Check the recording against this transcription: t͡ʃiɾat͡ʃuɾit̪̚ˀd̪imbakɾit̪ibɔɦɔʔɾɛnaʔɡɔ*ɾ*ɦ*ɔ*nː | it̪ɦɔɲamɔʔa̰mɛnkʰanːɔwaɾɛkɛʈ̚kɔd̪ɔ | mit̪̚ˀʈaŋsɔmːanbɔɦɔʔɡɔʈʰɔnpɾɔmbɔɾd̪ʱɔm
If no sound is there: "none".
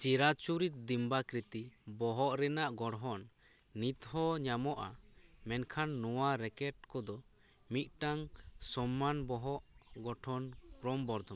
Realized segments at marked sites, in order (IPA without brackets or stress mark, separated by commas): ɽ, ɔ